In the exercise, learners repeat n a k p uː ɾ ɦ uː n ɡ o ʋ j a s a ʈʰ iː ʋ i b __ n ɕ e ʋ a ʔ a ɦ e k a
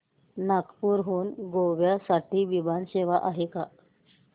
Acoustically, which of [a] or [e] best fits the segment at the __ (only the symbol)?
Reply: a